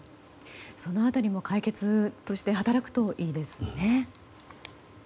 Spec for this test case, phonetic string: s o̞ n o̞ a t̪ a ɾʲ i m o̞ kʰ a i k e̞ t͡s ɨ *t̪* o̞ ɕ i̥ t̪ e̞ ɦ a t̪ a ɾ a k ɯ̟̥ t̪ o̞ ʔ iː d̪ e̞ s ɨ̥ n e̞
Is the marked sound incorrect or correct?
correct